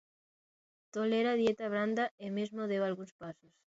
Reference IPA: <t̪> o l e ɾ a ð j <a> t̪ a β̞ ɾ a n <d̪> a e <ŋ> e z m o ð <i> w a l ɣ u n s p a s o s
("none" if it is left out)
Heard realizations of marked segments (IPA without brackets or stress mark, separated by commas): t̪, e, d̪, m, e